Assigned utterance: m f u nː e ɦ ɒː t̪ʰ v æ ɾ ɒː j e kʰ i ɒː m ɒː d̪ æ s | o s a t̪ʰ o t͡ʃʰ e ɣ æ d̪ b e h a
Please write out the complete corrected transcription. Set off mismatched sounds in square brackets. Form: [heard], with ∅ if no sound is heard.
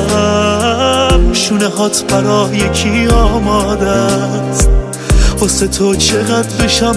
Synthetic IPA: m [ʃ] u [n] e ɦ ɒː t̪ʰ [b] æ ɾ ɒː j e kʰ i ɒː m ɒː d̪ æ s | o s [e] t̪ʰ o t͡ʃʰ e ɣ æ d̪ b e [ʃ] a